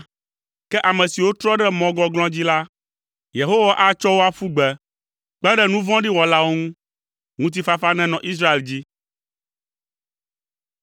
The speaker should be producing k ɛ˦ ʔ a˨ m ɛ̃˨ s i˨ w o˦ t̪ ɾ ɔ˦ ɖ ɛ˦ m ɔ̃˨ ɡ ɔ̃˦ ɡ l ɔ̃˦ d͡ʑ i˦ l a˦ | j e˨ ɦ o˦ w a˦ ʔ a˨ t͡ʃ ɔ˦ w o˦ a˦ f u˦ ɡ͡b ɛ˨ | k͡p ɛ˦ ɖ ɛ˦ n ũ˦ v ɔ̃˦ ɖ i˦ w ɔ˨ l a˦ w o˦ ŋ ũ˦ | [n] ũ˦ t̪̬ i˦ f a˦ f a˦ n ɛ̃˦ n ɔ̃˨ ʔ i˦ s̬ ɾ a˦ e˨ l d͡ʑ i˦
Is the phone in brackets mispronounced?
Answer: yes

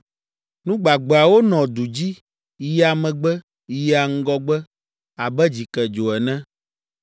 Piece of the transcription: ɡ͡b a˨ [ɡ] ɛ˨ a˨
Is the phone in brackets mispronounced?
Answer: yes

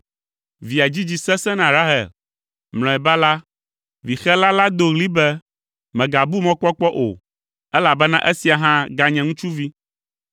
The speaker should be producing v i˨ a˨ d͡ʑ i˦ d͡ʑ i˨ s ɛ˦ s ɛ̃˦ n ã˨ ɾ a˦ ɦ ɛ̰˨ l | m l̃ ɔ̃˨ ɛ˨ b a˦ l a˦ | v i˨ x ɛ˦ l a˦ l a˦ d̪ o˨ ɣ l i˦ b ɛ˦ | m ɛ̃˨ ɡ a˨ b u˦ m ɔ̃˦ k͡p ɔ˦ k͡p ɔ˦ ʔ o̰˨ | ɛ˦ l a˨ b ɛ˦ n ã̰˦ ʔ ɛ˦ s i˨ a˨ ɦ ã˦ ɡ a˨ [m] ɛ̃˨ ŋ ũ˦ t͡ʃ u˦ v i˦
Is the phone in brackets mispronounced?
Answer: yes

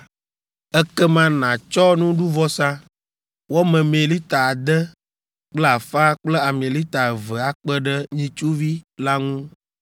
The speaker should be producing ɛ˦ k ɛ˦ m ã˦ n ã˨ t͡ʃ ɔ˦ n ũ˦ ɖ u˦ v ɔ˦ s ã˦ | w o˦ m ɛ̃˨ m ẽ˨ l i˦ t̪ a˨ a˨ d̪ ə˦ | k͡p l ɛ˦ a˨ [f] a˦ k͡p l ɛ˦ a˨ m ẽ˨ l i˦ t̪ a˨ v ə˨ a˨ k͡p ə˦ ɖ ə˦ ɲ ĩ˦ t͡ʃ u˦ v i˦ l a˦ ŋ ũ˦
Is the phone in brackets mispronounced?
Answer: no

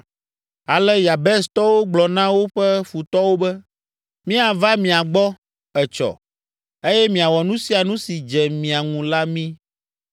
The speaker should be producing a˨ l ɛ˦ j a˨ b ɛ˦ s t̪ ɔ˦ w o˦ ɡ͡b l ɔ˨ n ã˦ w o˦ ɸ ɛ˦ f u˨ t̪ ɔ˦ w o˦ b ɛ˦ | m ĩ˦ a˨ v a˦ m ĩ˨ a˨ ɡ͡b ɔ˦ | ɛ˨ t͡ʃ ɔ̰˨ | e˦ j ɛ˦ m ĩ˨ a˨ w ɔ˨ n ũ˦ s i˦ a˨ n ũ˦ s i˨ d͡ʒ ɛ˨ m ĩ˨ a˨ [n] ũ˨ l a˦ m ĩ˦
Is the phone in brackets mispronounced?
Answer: yes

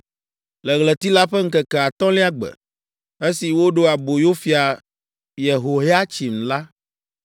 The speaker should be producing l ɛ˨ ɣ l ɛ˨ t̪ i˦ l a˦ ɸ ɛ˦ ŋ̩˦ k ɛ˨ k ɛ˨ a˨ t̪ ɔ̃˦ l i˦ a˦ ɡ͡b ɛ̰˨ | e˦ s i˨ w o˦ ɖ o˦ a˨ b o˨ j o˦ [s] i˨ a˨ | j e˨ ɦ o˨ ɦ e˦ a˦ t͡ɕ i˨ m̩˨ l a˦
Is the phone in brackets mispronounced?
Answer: yes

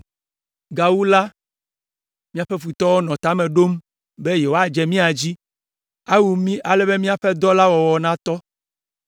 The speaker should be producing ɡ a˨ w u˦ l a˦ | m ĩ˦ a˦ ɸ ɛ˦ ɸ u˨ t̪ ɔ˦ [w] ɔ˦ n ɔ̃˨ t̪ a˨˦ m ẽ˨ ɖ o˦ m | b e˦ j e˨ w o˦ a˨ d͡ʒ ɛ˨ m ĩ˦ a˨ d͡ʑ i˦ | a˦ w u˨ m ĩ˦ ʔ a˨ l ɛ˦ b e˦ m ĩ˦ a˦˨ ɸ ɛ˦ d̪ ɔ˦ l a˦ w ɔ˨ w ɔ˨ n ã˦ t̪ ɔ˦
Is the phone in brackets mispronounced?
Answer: no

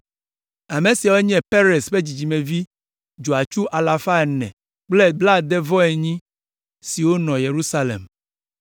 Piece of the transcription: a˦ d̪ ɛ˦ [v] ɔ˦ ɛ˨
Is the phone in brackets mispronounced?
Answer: no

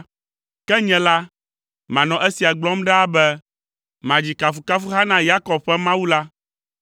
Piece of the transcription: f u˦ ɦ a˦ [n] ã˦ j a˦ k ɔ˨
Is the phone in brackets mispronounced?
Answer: no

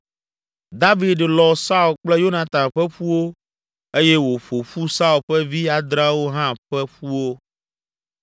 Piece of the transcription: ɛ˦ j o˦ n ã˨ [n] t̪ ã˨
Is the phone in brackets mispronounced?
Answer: yes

